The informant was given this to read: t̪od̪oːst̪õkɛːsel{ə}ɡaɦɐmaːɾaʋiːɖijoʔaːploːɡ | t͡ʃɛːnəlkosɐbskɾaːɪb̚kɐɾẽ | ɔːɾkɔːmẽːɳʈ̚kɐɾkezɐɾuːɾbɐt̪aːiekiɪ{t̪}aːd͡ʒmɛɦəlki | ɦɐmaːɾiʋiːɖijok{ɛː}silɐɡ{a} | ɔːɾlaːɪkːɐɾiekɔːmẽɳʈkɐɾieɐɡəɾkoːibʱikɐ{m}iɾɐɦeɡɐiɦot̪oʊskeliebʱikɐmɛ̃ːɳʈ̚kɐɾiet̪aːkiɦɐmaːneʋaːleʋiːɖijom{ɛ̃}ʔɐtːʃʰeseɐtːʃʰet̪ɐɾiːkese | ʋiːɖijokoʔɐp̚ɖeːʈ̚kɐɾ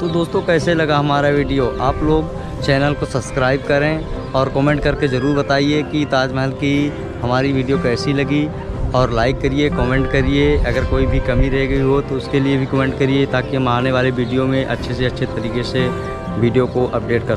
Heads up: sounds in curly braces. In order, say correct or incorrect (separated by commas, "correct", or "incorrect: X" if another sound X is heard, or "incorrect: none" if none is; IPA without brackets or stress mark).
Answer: incorrect: ɐ, correct, correct, incorrect: i, correct, incorrect: ẽ